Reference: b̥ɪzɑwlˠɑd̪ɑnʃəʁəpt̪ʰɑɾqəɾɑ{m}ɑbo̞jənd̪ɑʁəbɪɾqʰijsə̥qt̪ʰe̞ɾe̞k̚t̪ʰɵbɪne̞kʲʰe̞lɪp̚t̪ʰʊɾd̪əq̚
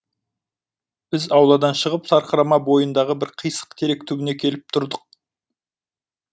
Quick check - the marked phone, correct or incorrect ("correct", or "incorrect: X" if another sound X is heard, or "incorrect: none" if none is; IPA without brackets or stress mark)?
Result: correct